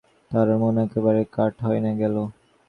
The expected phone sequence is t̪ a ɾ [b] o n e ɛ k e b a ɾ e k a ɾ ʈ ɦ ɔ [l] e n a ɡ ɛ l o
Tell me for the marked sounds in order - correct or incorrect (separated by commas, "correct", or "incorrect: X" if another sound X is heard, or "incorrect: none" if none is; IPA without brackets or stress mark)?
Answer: incorrect: m, incorrect: none